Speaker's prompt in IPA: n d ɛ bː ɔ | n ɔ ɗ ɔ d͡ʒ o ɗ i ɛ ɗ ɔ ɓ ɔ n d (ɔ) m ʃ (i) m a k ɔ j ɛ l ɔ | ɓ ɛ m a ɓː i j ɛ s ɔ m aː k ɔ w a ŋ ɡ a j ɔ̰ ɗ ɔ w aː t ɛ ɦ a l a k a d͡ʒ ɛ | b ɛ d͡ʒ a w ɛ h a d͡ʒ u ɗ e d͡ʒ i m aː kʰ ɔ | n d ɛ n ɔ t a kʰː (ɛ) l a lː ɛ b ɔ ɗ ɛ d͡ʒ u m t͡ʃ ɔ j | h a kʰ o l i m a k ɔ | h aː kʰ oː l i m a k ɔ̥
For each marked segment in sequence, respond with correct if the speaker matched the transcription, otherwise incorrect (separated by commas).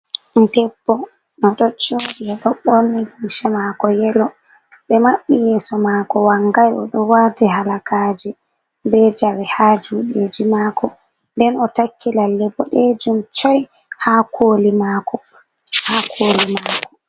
incorrect, incorrect, incorrect